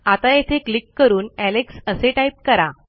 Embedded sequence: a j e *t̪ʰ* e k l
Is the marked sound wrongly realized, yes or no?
no